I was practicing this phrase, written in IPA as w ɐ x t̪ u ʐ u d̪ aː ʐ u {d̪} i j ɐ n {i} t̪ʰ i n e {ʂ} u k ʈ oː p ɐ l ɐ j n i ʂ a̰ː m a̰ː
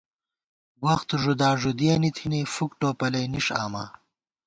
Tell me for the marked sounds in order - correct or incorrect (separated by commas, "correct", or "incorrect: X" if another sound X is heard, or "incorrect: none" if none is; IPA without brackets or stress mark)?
correct, correct, incorrect: f